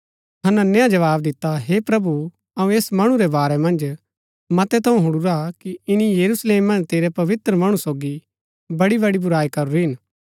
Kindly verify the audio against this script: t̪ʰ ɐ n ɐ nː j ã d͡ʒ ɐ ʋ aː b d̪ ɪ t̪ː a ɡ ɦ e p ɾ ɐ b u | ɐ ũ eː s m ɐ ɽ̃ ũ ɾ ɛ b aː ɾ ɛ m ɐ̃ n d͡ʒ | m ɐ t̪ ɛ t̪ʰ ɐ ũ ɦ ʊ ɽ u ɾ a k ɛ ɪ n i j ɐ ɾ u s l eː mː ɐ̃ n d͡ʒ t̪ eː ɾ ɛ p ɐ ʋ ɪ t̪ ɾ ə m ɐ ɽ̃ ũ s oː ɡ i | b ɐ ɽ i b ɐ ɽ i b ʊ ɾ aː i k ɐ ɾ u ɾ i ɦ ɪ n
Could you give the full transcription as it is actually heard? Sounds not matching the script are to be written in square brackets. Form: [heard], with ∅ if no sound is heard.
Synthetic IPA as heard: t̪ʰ ɐ n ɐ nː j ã d͡ʒ ɐ ʋ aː b d̪ ɪ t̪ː a [∅] ɦ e p ɾ ɐ b u | ɐ ũ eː s m ɐ ɽ̃ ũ ɾ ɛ b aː ɾ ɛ m ɐ̃ n d͡ʒ | m ɐ t̪ ɛ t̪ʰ ɐ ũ ɦ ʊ ɽ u ɾ a k [i] ɪ n i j ɐ ɾ u s l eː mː ɐ̃ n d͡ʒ t̪ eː ɾ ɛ p ɐ ʋ ɪ t̪ ɾ ə m ɐ ɽ̃ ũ s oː ɡ i | b ɐ ɽ i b ɐ ɽ i b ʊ ɾ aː i k ɐ ɾ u ɾ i ɦ ɪ n